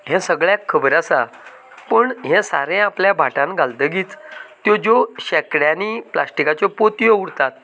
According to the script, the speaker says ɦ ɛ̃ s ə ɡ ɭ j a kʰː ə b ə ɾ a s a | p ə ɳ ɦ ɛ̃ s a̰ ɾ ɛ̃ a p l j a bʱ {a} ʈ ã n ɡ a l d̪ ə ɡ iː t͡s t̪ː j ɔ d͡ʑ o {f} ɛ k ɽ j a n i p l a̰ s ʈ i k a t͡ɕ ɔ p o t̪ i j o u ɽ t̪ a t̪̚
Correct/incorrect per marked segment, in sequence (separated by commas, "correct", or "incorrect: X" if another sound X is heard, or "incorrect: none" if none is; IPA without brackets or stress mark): correct, incorrect: ɕ